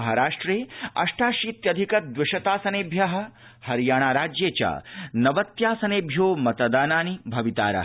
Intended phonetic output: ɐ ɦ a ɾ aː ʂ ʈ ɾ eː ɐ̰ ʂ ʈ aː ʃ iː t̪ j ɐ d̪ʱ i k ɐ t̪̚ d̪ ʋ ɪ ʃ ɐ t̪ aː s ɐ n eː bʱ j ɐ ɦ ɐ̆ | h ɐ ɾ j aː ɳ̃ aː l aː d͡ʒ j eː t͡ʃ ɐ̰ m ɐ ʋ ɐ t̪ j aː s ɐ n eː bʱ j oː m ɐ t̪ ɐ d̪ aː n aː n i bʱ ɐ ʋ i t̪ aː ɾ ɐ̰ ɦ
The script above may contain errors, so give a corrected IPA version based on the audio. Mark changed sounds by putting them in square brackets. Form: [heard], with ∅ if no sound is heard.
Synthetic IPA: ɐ ɦ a ɾ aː ʂ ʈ ɾ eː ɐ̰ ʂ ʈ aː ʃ iː t̪ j ɐ d̪ʱ i k ɐ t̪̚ d̪ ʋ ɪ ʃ ɐ t̪ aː s ɐ n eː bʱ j ɐ ɦ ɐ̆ | h ɐ ɾ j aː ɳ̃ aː [ɾ] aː d͡ʒ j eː t͡ʃ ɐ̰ [n] ɐ ʋ ɐ t̪ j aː s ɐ n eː bʱ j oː m ɐ t̪ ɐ d̪ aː n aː n i bʱ ɐ ʋ i t̪ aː ɾ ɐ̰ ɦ